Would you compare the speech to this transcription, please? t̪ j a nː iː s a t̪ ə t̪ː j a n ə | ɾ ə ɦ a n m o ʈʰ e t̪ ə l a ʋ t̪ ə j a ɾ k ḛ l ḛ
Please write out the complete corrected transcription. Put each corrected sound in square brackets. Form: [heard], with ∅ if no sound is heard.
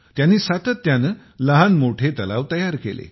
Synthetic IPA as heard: t̪ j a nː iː s a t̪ ə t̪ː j a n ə | [l] ə ɦ a n m o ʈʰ e t̪ ə l a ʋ t̪ ə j a ɾ k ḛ l ḛ